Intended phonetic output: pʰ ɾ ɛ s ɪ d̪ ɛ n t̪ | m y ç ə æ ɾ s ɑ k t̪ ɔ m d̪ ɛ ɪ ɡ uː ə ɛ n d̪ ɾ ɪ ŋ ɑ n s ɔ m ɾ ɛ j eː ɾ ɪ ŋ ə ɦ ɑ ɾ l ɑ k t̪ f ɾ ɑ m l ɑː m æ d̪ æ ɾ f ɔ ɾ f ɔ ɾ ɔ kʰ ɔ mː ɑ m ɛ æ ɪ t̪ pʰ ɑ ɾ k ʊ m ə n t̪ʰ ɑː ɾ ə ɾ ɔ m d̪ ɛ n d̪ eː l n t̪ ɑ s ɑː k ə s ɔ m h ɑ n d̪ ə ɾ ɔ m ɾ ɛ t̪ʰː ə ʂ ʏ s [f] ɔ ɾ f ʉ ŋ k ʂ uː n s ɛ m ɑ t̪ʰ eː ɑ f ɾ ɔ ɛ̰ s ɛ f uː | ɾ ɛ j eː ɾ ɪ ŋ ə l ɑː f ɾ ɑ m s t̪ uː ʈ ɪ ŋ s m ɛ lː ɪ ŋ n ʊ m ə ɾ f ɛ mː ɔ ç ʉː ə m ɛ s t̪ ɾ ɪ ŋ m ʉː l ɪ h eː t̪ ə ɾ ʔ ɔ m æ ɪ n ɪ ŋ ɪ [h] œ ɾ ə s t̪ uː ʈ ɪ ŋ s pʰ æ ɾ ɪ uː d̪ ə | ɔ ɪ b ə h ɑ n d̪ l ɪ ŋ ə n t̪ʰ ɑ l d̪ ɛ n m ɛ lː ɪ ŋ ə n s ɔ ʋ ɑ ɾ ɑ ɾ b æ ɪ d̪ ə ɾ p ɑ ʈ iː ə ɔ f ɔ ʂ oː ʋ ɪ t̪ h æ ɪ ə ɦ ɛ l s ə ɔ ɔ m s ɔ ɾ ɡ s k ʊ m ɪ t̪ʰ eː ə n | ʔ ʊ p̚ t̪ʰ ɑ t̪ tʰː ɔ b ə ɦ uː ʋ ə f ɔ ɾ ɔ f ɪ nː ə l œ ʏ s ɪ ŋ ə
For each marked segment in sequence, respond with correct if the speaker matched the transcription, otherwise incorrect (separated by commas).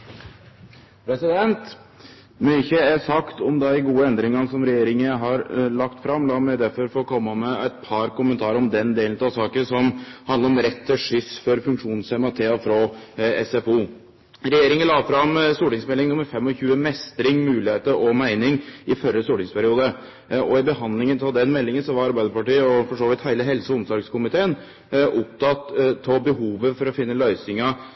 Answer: correct, incorrect